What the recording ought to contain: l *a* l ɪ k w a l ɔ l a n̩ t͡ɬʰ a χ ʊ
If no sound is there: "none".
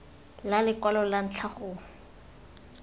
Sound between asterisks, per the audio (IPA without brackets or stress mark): a